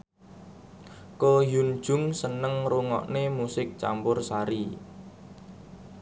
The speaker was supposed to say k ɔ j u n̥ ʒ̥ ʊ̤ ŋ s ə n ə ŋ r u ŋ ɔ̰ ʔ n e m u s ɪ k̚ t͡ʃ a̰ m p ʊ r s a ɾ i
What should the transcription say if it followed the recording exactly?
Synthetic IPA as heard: k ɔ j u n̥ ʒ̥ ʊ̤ ŋ s ə n ə ŋ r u ŋ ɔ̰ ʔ n e m u s ɪ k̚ t͡ʃ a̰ m p ʊ r s a ɾ i